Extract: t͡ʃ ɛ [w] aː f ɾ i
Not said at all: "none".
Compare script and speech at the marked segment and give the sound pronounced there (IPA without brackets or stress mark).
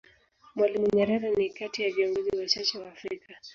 w